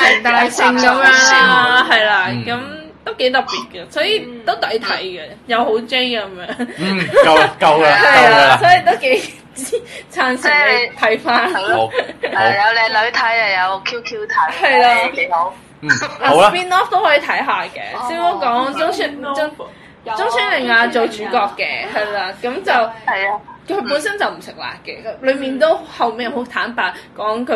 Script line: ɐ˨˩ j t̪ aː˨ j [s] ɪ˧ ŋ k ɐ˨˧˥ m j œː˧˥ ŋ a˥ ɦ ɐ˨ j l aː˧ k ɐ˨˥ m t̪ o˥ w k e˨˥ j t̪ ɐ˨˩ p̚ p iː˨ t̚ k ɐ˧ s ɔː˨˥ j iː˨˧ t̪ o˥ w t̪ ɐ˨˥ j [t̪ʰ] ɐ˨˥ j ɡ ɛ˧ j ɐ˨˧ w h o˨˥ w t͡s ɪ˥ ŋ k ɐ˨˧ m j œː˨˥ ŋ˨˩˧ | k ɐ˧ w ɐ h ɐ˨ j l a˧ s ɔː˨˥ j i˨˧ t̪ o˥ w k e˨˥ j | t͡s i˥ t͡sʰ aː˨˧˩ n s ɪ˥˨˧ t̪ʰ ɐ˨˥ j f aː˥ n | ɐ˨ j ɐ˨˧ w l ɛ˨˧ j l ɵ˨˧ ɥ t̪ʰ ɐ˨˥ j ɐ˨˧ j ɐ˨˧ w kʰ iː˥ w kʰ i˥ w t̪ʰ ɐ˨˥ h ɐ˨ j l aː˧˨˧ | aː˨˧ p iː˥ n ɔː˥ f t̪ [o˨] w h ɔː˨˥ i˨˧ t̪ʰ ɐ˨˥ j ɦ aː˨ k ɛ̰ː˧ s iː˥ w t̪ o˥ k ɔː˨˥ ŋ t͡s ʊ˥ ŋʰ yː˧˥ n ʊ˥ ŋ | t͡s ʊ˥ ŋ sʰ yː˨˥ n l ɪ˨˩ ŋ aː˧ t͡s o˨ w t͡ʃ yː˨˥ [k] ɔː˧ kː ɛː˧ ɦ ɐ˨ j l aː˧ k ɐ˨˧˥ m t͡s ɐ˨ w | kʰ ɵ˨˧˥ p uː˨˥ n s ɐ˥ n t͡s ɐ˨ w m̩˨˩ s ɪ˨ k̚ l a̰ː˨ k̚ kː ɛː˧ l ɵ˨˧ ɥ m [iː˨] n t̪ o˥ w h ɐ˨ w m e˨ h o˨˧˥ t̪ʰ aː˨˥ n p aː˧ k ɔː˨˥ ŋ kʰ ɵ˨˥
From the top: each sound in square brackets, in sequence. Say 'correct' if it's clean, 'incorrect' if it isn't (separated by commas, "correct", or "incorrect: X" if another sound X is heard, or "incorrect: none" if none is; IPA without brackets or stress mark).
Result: correct, correct, incorrect: o˥, correct, correct